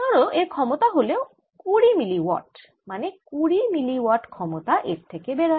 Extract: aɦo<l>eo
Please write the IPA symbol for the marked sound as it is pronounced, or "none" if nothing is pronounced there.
l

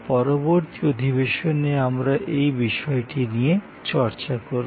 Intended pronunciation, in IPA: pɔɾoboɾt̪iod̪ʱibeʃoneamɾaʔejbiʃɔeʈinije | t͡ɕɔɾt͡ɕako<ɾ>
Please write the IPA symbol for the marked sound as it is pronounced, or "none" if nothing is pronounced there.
ɾ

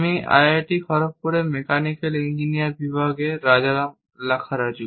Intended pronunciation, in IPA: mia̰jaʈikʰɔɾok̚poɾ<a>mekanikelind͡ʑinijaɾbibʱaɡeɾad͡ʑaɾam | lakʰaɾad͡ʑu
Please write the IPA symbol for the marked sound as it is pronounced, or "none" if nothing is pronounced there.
e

